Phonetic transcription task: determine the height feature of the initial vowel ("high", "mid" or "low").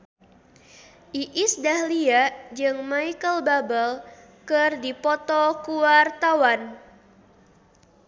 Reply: high